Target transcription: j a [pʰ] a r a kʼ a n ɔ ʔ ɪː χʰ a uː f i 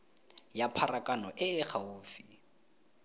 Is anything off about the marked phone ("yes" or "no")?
no